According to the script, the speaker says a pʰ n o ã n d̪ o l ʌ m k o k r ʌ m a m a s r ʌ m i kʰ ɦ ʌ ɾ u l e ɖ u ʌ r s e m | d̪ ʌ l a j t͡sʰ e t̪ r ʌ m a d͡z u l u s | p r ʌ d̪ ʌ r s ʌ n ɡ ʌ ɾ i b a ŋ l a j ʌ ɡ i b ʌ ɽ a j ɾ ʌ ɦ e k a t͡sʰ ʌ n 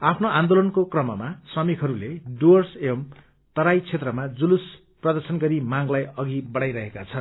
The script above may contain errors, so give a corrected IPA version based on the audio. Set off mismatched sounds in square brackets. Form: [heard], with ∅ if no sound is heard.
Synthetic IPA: a pʰ n o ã n d̪ o l ʌ [n] k o k r ʌ m [ʌ] m a s r ʌ m i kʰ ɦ ʌ ɾ u l e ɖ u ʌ r s e m | [t̪] ʌ [ɾ] a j t͡sʰ e t̪ r ʌ m a d͡z u l u s | p r ʌ d̪ ʌ r s ʌ n ɡ ʌ ɾ i [m] a ŋ l a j ʌ ɡ i b ʌ ɽ a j ɾ ʌ ɦ e k a t͡sʰ ʌ n